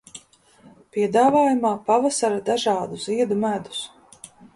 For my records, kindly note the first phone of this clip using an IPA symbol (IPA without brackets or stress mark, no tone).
p